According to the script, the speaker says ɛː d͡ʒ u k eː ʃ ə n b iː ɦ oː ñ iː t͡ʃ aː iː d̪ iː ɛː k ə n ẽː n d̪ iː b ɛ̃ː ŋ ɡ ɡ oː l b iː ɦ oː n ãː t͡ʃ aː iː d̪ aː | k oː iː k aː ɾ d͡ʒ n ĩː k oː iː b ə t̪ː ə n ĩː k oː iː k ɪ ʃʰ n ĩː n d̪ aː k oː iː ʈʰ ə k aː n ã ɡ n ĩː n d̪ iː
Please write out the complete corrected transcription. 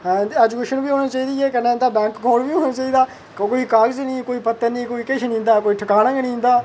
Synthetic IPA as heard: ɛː d͡ʒ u k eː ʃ ə n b iː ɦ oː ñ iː t͡ʃ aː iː d̪ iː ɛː k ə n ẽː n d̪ aː b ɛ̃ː ŋ k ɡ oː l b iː ɦ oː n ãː t͡ʃ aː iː d̪ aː | k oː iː k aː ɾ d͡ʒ n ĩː k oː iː p ə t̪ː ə n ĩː k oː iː k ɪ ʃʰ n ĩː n d̪ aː k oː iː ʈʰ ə k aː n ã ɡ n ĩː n d̪ aː

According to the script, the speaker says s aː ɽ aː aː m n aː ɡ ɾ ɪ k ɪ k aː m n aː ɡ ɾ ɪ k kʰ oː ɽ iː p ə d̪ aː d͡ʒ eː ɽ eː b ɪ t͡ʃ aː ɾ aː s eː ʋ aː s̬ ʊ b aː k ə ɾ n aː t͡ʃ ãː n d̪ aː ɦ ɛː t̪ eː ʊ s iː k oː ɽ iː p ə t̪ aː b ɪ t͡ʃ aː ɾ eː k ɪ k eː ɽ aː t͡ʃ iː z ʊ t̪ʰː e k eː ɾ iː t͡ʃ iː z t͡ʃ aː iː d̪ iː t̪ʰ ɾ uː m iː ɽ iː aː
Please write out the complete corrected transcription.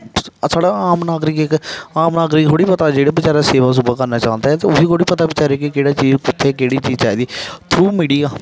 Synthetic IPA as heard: s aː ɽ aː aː m n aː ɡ ɾ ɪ k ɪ k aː m n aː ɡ ɾ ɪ k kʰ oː ɽ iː p ə t̪ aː d͡ʒ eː ɽ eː b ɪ t͡ʃ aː ɾ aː s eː ʋ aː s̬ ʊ b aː k ə ɾ n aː t͡ʃ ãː n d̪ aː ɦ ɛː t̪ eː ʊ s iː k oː ɽ iː p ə t̪ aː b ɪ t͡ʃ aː ɾ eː k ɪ k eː ɽ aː t͡ʃ iː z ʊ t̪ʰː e k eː ɽ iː t͡ʃ iː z t͡ʃ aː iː d̪ iː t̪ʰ ɾ uː m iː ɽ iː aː

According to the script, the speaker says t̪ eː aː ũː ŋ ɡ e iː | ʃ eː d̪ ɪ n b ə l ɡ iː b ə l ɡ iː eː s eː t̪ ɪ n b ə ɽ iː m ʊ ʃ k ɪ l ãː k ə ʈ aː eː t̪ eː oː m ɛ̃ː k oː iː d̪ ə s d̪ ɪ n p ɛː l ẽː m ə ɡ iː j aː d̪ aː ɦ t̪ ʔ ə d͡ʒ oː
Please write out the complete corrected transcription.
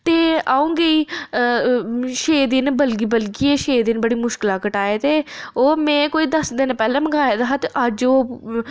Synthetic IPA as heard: t̪ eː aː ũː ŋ ɡ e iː | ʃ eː d̪ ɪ n b ə l ɡ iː b ə l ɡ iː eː ʃ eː d̪ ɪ n b ə ɽ iː m ʊ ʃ k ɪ l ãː k ə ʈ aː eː t̪ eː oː m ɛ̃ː k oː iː d̪ ə s d̪ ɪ n p ɛː l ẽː m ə ɡ aː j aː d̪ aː ɦ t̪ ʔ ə d͡ʒ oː

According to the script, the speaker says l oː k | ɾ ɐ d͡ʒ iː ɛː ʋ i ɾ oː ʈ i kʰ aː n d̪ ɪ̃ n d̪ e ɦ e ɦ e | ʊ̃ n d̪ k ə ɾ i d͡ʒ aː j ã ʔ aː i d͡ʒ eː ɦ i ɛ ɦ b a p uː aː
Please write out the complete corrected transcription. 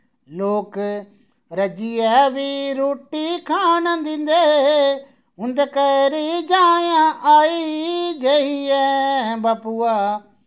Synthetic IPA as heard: l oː k | ɾ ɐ d͡ʒ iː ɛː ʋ i ɾ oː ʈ i kʰ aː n d̪ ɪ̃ n d̪ e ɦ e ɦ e | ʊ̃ n d̪ k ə ɾ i d͡ʒ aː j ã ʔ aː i d͡ʒ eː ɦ i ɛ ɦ b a p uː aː

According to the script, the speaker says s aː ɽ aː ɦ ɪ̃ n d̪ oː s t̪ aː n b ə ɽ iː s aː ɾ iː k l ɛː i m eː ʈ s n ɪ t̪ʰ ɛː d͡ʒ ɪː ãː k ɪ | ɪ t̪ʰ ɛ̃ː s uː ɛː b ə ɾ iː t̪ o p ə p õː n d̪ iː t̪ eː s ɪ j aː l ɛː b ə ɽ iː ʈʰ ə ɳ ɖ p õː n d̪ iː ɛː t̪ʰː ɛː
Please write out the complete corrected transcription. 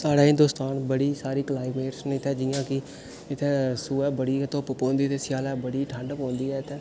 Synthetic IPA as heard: s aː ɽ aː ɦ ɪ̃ n d̪ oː s t̪ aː n b ə ɽ iː s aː ɾ iː k l aː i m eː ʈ s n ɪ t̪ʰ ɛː d͡ʒ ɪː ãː k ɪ | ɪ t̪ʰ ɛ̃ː s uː ɛː b ə ɽ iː t̪ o p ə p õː n d̪ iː t̪ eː s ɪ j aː l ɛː b ə ɽ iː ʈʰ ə ɳ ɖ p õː n d̪ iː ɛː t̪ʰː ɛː

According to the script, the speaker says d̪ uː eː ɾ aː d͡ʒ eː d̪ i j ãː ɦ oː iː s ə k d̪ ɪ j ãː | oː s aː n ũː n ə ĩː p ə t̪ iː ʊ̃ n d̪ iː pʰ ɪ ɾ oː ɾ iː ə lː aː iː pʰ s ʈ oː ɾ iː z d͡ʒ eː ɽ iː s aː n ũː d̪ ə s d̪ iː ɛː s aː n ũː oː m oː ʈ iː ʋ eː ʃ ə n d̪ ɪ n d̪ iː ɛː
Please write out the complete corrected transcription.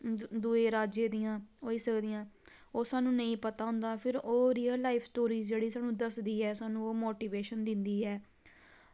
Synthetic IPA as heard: d̪ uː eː ɾ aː d͡ʒ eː d̪ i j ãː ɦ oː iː s ə k d̪ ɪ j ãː | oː s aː n ũː n ə ĩː p ə t̪ aː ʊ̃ n d̪ aː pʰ ɪ ɾ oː ɾ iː ə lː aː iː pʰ s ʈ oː ɾ iː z d͡ʒ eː ɽ iː s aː n ũː d̪ ə s d̪ iː ɛː s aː n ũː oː m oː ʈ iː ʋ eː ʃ ə n d̪ ɪ n d̪ iː ɛː

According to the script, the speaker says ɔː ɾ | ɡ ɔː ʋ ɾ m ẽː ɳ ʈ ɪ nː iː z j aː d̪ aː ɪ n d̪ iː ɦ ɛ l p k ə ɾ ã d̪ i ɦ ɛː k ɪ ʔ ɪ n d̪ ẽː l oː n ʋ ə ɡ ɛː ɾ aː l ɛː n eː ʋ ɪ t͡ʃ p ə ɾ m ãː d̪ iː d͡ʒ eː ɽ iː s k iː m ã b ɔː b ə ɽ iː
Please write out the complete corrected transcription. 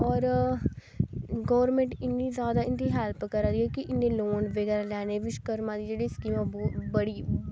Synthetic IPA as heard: ɔː ɾ | ɡ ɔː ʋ ɾ m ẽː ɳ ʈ ɪ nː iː z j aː d̪ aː ɪ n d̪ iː ɦ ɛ l p k ə ɾ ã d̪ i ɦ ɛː k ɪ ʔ ɪ n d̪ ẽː l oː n ʋ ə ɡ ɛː ɾ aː l ɛː n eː ʋ ɪ t͡ʃ k ə ɾ m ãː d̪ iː d͡ʒ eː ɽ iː s k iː m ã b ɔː b ə ɽ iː

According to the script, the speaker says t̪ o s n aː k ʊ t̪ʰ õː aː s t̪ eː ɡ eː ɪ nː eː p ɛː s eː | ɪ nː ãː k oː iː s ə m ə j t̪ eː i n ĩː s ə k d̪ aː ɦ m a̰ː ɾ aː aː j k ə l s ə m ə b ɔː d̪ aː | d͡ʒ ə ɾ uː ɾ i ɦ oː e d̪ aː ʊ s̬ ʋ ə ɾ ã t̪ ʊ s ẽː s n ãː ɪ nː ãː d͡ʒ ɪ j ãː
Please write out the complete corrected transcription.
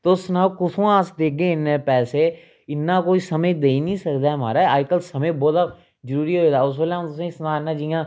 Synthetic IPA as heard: t̪ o s n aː k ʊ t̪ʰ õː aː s d̪ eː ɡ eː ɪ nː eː p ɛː s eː | ɪ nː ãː k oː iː s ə m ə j d̪ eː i n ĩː s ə k d̪ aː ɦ m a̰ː ɾ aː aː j k ə l s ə m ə b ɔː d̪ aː | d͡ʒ ə ɾ uː ɾ i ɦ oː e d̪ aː ʊ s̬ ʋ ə l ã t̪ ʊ s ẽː s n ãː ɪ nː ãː d͡ʒ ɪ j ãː

